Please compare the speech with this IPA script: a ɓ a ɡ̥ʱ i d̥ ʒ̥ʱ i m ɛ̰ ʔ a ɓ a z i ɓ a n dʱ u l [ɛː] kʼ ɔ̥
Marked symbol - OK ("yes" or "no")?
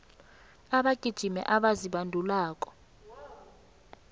no